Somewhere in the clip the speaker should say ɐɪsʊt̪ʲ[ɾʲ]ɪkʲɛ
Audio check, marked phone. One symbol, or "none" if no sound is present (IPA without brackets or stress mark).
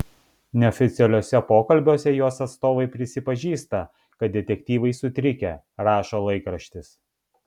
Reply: ɾʲ